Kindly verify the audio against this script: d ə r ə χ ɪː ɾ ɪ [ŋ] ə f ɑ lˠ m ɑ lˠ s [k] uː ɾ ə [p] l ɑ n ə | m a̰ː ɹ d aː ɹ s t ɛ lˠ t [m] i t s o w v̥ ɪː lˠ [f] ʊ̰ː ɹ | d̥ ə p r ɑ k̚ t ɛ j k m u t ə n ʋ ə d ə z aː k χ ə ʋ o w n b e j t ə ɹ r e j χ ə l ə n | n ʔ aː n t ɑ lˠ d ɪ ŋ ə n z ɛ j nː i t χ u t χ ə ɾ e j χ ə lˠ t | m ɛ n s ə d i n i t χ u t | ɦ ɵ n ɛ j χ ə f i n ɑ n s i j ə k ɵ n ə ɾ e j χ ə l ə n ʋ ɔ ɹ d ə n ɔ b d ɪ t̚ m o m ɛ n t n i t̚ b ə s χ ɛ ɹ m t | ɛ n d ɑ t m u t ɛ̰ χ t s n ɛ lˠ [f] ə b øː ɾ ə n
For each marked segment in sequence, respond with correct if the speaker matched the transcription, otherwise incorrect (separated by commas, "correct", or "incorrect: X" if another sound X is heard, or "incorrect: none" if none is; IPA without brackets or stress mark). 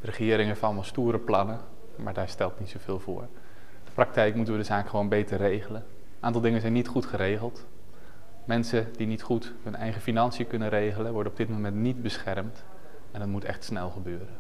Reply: correct, incorrect: t, correct, incorrect: n, incorrect: v, incorrect: χ